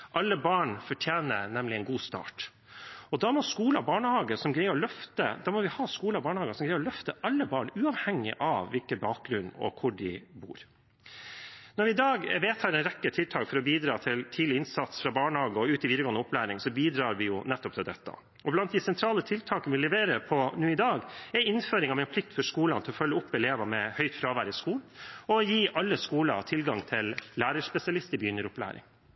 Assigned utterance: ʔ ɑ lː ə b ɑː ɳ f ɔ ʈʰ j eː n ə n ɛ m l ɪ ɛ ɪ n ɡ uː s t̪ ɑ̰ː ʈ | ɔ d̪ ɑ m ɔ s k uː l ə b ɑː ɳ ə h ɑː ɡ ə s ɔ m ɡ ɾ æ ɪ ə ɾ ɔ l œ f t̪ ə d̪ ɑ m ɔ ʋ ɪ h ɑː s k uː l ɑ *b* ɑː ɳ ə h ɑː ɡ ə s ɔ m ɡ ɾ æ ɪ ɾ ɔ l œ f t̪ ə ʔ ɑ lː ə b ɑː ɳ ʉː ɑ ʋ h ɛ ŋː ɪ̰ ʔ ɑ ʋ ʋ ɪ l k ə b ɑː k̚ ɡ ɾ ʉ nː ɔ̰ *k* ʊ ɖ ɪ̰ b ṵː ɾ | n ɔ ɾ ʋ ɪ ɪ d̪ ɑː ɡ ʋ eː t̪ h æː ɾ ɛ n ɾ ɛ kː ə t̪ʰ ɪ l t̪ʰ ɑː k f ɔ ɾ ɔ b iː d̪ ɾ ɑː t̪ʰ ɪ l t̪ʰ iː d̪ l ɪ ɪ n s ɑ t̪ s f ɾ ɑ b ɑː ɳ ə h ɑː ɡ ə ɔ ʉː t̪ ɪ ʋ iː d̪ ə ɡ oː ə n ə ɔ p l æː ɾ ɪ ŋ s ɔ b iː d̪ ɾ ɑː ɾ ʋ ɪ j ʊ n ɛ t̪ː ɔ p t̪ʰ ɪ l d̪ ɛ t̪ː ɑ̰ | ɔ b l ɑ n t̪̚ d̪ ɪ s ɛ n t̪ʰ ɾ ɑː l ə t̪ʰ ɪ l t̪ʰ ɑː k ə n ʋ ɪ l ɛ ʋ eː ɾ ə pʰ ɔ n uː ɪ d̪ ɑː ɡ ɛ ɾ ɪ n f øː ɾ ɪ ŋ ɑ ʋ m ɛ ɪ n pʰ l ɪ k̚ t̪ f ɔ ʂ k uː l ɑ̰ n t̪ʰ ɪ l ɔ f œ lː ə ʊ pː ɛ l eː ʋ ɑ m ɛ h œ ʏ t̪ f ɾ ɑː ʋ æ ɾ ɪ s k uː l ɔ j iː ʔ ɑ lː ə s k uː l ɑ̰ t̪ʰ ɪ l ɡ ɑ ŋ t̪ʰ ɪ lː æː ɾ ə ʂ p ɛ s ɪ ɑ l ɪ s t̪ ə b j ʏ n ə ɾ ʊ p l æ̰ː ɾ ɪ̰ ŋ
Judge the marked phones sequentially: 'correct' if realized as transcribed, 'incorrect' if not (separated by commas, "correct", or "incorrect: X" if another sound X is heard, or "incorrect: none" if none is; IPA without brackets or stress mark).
correct, incorrect: kʰ